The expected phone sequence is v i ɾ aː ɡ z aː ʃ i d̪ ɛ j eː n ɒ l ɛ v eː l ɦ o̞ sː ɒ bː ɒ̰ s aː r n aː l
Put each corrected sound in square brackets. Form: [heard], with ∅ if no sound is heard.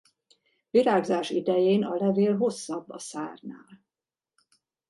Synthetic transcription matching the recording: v i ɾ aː ɡ z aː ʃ i d̪ ɛ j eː n ɒ l ɛ v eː l ɦ o̞ sː ɒ bː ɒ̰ s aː r n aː l